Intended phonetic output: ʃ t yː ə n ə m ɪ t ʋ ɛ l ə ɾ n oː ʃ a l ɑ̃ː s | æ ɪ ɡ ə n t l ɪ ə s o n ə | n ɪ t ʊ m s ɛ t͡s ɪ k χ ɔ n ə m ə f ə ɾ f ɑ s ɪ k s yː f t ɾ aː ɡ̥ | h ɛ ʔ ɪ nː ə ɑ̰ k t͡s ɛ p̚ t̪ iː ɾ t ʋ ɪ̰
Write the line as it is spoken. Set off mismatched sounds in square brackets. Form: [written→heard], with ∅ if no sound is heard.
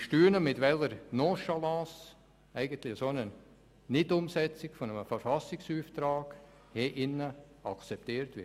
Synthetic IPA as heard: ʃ t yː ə n ə m ɪ t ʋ ɛ l ə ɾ n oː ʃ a l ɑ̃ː s | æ ɪ ɡ ə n t l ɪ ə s o n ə | n ɪ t ʊ m s ɛ t͡s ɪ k [χ→f] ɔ n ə m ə f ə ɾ f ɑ s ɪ k s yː f t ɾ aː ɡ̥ | h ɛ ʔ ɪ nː ə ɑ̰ k t͡s ɛ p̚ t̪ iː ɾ t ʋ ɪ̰